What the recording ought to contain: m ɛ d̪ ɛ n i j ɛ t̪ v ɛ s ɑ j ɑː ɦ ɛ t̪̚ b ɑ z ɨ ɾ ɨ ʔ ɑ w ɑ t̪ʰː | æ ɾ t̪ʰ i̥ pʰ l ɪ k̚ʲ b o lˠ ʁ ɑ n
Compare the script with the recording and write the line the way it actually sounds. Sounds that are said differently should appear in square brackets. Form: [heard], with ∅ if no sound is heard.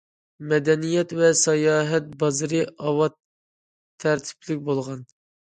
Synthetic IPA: m ɛ d̪ ɛ n i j ɛ t̪ v ɛ s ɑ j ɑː ɦ ɛ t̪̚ b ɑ z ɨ ɾ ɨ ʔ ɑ w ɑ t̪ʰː | æ ɾ t̪ʰ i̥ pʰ l ɪ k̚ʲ b o lˠ ʁ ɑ n